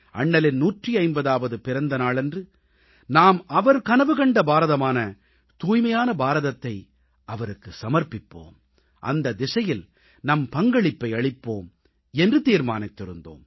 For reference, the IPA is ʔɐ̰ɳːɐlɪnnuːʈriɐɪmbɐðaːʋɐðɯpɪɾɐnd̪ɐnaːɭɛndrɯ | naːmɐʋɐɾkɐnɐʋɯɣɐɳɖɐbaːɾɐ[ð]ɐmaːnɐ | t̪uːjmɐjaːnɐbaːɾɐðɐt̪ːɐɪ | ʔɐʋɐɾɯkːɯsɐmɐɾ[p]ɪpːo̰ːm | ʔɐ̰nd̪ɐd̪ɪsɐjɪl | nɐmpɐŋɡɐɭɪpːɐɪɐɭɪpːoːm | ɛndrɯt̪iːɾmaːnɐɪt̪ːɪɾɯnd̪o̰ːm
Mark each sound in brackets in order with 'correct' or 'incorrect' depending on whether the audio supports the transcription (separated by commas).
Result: correct, correct